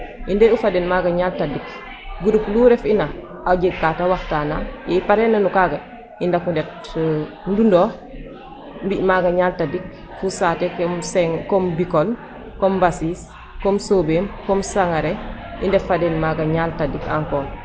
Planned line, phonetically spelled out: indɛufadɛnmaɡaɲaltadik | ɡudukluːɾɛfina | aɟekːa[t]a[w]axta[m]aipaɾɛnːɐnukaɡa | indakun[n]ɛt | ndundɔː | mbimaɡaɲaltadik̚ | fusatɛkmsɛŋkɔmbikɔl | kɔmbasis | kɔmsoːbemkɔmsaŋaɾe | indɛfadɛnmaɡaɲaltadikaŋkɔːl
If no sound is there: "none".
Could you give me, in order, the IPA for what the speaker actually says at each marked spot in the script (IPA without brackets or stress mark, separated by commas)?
t, w, n, d